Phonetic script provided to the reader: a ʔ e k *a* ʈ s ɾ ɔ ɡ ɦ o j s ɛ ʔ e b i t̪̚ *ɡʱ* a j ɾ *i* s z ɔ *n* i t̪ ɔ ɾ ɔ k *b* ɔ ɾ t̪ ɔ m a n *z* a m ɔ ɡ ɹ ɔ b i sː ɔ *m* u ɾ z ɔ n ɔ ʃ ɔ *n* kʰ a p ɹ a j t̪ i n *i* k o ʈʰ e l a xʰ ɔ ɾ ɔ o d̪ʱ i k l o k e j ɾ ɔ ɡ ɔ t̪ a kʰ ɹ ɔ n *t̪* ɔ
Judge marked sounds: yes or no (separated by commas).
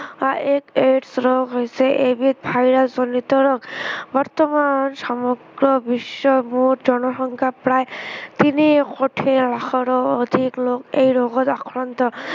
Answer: no, no, no, yes, yes, no, yes, no, yes, yes